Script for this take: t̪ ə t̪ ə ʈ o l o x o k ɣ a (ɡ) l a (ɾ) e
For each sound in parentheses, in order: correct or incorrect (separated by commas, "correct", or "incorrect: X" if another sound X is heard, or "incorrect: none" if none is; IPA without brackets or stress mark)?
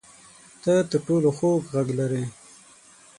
correct, correct